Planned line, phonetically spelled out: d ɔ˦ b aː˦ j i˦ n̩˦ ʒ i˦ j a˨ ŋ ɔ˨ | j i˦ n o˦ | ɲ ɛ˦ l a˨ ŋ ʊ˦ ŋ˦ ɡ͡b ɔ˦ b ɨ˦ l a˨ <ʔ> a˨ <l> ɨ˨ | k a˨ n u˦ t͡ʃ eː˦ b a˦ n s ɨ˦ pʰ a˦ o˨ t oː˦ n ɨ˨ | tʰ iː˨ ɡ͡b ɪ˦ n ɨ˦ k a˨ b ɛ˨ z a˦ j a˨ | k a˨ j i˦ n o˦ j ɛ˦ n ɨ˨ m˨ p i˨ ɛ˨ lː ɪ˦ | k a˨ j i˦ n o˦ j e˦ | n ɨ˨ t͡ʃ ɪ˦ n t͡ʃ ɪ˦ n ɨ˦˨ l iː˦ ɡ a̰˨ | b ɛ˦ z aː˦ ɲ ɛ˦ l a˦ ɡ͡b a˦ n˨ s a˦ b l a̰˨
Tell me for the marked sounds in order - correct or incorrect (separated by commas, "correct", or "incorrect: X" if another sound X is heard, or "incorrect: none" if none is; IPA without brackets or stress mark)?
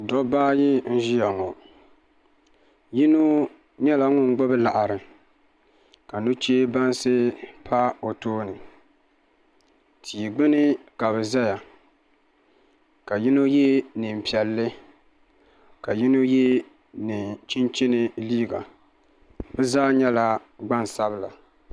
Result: correct, incorrect: ɾ